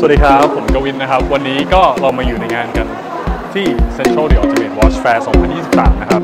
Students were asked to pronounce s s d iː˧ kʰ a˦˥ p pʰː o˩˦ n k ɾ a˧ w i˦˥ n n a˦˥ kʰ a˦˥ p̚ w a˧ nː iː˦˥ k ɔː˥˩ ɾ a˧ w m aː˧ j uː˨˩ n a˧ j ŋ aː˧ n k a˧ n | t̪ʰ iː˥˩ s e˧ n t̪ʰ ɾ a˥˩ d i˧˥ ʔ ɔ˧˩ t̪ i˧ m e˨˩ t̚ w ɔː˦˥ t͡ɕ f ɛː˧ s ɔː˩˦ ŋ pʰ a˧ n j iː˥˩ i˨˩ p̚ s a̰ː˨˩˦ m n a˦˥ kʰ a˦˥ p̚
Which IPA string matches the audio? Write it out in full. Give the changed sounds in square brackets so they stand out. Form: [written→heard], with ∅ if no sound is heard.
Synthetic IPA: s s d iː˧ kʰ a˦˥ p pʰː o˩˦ n k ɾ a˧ w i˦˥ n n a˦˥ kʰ a˦˥ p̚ w a˧ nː iː˦˥ k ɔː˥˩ ɾ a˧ w m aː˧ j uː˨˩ n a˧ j ŋ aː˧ n k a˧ n | t̪ʰ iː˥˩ s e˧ n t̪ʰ ɾ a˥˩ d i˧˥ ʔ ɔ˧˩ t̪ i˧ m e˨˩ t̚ w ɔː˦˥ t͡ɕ f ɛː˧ s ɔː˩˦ ŋ pʰ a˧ n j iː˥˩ i˨˩ p̚ s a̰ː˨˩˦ m n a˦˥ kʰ a˦˥ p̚